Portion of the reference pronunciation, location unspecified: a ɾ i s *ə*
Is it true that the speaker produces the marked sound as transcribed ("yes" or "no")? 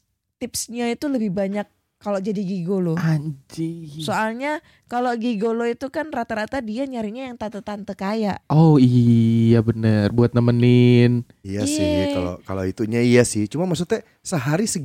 yes